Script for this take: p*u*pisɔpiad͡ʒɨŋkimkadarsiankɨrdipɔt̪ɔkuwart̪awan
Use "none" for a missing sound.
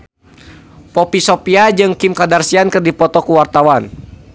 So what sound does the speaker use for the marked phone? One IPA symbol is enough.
ɔ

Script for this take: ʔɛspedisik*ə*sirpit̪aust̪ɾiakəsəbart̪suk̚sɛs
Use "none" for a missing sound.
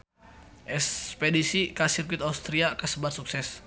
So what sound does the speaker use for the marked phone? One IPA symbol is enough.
a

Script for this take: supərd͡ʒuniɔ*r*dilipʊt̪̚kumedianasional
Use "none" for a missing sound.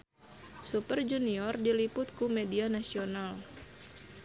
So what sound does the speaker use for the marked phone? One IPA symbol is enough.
r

